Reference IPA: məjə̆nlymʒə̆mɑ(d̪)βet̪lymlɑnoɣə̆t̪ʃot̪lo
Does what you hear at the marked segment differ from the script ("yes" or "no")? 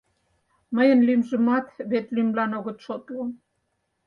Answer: yes